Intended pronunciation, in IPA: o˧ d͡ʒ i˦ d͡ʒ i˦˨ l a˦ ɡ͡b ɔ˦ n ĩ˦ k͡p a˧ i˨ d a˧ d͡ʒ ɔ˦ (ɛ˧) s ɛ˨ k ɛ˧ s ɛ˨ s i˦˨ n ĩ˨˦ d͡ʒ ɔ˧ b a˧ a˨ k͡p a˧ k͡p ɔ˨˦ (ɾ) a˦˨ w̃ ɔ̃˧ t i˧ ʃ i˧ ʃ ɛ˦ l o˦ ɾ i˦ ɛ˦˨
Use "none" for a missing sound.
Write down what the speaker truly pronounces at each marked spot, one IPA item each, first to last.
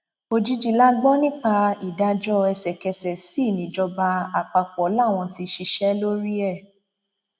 ɛ˧, l

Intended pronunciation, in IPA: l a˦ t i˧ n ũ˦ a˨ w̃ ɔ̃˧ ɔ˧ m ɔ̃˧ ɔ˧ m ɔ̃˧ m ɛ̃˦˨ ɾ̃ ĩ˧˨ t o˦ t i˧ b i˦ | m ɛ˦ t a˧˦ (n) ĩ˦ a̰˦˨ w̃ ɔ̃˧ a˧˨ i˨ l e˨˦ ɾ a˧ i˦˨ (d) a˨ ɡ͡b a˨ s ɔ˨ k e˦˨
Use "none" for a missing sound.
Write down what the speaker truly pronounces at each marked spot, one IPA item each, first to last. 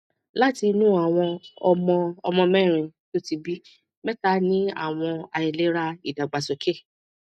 n, d

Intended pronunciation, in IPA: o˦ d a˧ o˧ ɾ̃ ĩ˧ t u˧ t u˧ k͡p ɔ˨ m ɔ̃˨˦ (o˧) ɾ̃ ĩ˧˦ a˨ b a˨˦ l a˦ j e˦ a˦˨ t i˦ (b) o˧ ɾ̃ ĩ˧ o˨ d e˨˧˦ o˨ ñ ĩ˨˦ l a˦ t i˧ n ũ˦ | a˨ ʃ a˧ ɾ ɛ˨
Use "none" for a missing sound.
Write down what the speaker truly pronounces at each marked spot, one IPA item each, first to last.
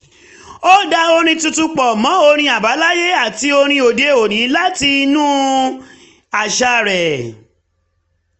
o˧, none

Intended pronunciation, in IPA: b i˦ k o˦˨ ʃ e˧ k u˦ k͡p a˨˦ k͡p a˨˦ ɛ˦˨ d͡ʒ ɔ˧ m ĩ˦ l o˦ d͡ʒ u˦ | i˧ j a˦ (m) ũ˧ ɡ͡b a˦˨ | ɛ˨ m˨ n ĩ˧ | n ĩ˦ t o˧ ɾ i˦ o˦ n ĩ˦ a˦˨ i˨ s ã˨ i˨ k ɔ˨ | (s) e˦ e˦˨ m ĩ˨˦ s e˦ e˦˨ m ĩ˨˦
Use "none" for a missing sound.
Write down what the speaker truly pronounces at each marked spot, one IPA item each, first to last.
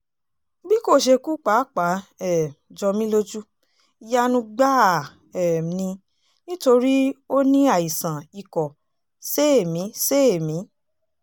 n, s

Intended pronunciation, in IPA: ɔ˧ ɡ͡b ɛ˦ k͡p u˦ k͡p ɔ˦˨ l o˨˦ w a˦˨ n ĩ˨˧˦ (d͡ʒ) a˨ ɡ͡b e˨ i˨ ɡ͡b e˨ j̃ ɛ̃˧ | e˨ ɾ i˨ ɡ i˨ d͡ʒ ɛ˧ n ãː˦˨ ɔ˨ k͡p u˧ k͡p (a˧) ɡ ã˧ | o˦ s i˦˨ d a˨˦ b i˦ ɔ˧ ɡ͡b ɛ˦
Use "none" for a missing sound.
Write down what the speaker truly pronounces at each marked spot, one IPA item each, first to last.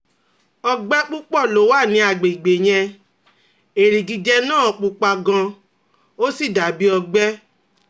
none, a˧

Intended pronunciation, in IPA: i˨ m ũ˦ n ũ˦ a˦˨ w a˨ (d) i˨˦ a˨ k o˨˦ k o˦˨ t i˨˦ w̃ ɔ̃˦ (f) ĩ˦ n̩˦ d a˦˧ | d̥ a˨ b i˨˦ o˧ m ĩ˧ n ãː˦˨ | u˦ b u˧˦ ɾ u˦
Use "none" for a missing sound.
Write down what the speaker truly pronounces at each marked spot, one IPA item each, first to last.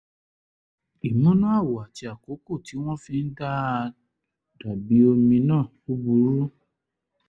t, f

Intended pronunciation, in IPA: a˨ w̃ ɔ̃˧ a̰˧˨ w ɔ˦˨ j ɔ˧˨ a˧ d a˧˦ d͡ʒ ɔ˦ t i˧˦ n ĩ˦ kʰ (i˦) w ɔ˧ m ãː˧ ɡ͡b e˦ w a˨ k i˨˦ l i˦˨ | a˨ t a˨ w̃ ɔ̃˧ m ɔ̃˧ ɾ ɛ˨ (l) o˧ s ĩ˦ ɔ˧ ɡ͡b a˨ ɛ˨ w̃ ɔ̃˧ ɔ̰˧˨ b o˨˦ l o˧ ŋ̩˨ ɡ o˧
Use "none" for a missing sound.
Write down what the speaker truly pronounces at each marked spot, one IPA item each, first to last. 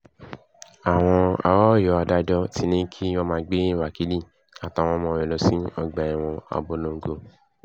i˦, l

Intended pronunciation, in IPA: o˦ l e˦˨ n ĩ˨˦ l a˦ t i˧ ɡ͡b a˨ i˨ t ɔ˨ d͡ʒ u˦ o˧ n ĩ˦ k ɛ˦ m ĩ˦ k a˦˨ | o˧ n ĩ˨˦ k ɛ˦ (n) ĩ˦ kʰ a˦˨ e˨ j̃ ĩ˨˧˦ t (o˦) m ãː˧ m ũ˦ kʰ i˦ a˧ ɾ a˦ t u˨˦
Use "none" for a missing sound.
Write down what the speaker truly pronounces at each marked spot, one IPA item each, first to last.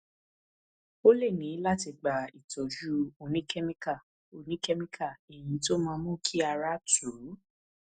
m, o˦

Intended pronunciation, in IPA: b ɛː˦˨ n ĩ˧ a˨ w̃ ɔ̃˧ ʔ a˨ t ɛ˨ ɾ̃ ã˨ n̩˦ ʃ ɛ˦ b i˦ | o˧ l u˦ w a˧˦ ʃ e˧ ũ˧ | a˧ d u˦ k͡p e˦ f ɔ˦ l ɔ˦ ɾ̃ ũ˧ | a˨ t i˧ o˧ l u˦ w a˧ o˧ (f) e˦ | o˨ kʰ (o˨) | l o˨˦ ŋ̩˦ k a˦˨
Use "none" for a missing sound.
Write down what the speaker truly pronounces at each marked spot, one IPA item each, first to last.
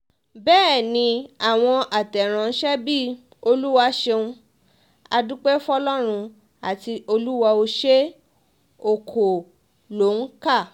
ʃ, o˨

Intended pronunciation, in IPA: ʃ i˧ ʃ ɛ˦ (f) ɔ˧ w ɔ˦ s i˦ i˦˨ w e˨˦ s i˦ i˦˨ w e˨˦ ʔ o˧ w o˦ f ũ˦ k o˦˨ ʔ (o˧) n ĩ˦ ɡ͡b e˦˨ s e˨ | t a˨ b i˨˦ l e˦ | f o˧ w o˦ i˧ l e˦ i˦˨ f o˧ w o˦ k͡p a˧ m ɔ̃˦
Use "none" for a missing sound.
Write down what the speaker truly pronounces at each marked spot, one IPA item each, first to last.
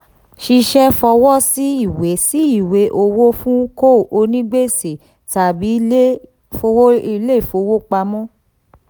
f, o˧

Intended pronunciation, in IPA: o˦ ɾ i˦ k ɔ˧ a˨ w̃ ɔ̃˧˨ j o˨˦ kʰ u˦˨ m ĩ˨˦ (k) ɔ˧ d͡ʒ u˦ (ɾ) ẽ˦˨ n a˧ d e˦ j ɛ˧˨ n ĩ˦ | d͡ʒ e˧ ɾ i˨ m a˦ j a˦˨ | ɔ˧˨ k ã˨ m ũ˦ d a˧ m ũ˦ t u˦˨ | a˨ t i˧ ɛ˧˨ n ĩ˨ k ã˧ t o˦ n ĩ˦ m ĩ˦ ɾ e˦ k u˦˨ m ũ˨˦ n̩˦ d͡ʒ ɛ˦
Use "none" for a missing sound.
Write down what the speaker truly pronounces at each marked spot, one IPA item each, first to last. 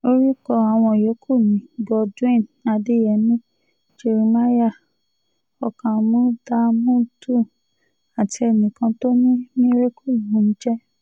ɡ, none

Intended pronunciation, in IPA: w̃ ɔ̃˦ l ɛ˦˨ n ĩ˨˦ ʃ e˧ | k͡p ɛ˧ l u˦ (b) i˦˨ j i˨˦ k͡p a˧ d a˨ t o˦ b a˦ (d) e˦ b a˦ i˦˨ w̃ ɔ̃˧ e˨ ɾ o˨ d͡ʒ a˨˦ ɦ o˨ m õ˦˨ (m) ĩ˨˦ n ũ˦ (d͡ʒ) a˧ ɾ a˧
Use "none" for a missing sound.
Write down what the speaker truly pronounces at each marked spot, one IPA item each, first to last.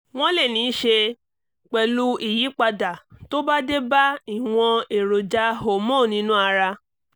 none, d, n, none

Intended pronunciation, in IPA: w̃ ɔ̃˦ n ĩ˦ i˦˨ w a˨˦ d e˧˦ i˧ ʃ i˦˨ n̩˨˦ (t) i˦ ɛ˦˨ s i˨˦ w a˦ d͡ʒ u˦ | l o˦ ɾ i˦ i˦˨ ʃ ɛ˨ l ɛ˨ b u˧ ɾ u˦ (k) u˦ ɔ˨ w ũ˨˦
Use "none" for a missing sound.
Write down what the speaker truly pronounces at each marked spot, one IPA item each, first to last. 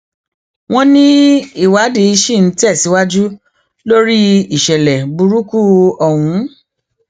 t, k

